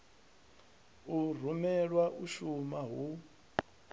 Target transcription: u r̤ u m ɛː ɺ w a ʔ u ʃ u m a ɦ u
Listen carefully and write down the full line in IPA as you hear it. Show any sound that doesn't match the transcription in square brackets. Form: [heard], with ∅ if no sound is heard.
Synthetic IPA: u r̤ u m [ɛ] ɺ w a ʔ u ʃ u m a ɦ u